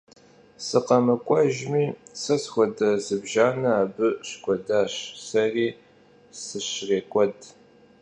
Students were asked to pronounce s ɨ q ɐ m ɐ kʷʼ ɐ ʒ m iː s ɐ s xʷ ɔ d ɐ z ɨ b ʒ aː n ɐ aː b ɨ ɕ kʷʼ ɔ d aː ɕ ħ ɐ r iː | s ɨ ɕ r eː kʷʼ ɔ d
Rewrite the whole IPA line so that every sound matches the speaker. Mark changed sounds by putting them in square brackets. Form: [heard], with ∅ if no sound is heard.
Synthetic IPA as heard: s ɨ q ɐ m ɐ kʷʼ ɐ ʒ m iː s ɐ s xʷ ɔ d ɐ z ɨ b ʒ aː n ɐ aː b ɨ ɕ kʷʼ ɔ d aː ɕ [s] ɐ r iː | s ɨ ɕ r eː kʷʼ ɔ d